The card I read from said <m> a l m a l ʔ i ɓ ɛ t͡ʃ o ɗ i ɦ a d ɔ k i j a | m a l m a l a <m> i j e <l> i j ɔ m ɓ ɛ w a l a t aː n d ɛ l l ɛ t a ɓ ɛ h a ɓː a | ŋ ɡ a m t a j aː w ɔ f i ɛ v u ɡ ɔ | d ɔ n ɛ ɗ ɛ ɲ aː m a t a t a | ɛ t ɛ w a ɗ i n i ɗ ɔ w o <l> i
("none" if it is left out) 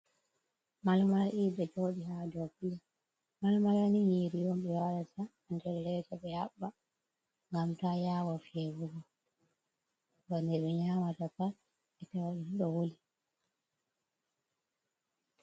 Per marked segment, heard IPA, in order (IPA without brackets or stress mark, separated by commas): m, n, ɾ, l